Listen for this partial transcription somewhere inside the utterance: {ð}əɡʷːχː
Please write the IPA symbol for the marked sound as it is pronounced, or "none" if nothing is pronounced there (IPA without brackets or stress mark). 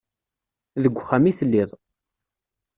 ð